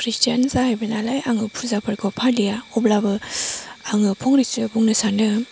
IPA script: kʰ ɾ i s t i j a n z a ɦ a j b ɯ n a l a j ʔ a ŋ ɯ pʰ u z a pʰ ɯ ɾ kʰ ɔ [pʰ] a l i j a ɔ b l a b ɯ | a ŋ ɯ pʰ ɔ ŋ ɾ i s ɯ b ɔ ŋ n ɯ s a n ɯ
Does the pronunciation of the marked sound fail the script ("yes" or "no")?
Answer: no